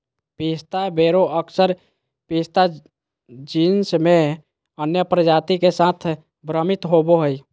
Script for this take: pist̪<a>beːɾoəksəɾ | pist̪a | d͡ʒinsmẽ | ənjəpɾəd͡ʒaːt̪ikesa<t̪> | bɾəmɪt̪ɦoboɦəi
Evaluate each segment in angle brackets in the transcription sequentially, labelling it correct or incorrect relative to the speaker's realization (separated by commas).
correct, incorrect